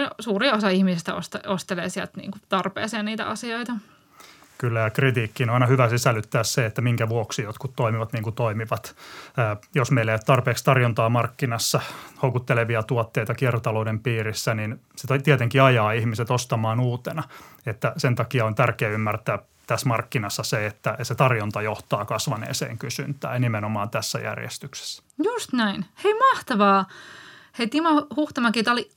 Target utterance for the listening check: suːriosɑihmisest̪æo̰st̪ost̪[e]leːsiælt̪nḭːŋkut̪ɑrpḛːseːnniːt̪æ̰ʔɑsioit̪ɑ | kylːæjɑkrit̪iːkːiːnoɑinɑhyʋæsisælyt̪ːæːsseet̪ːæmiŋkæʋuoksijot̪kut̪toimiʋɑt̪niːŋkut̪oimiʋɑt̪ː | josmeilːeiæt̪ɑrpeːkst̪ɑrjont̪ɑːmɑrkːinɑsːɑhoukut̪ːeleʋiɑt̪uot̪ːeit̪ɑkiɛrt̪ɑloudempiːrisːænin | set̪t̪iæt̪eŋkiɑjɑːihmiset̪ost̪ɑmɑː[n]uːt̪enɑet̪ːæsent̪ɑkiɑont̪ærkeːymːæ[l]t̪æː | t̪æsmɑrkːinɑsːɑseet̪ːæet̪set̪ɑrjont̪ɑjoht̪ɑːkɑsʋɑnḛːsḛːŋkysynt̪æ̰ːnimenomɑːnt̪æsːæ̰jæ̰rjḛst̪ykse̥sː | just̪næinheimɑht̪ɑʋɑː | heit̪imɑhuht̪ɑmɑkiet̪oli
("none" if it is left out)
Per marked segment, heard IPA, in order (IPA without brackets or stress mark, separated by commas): e, n, r